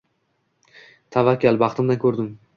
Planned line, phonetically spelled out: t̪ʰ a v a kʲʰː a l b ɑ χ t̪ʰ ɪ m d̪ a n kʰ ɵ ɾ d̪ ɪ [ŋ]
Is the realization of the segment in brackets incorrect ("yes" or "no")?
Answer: yes